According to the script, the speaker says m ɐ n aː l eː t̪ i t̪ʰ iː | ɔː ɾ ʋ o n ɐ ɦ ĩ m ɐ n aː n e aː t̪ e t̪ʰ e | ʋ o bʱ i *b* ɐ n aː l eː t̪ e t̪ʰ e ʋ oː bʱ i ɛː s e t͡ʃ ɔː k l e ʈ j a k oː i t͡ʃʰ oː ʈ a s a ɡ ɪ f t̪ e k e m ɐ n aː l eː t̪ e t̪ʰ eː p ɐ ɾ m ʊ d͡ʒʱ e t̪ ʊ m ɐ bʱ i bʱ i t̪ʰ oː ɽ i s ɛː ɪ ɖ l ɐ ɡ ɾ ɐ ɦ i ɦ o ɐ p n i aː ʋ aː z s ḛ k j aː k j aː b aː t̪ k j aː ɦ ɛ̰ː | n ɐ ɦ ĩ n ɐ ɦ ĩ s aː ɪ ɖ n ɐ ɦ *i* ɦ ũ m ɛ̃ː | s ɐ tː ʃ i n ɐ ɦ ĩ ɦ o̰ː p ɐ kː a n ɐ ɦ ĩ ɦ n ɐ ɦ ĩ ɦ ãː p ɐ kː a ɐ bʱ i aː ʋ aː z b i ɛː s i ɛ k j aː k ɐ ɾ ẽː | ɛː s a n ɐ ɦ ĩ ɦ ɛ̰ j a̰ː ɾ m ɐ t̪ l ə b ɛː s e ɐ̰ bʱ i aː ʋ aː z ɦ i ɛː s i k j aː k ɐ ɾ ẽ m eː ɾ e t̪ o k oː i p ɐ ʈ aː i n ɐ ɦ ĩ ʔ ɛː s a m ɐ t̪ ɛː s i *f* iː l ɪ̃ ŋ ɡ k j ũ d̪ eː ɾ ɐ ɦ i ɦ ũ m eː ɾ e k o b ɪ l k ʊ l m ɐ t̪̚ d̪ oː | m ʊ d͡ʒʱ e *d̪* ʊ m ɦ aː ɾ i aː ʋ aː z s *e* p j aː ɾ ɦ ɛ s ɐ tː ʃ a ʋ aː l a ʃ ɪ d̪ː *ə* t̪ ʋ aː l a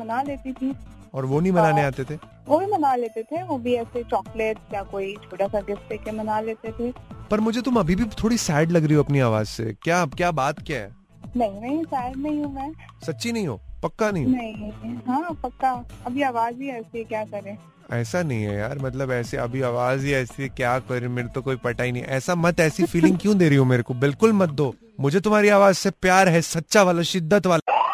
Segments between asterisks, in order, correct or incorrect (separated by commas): incorrect, incorrect, correct, incorrect, correct, correct